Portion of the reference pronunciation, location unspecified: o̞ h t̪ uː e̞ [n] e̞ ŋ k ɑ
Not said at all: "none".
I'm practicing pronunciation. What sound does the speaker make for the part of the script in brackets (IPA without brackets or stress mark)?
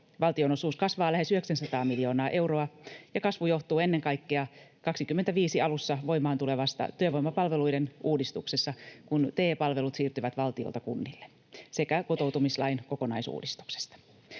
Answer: nː